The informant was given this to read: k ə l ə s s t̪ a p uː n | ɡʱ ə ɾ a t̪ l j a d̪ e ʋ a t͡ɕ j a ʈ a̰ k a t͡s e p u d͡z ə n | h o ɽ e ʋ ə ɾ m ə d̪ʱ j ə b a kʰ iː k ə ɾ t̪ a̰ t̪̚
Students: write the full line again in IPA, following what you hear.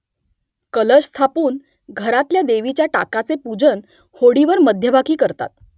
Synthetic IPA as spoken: k ə l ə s s t̪ʰ a p uː n | ɡʱ ə ɾ a t̪ l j a d̪ e ʋ i t͡ɕ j a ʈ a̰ k a t͡s e p u d͡z ə n | h o ɽ i ʋ ə ɾ m ə d̪ʱ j ə b a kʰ iː k ə ɾ t̪ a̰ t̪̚